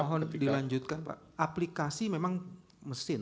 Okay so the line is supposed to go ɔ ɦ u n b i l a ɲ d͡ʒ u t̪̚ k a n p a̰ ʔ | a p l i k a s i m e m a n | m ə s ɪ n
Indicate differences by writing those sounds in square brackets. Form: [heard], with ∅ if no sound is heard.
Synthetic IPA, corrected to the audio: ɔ ɦ [ɔ] n [d] i l a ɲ d͡ʒ u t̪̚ k a n p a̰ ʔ | a p l i k a s i m e m a [ŋ] | m ə s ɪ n